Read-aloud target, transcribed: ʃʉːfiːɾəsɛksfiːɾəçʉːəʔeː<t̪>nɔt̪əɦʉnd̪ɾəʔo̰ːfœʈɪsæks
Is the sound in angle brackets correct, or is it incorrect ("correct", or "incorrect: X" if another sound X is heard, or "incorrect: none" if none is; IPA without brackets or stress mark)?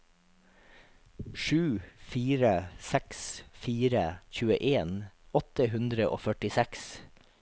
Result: incorrect: none